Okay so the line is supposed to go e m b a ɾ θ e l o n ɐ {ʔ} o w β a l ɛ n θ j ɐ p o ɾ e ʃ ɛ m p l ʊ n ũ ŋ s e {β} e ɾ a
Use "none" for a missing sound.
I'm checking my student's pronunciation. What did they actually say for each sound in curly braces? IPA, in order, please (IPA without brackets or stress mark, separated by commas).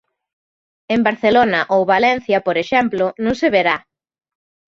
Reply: ʔ, β